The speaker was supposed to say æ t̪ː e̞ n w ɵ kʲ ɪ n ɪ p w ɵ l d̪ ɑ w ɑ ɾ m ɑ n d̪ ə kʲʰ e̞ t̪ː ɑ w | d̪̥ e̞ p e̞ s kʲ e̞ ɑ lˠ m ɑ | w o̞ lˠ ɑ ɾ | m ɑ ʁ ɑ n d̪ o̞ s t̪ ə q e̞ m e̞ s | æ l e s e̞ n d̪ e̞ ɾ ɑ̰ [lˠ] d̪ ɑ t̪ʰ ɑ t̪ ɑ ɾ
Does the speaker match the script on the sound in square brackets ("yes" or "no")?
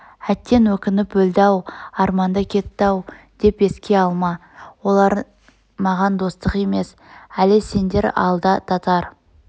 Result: yes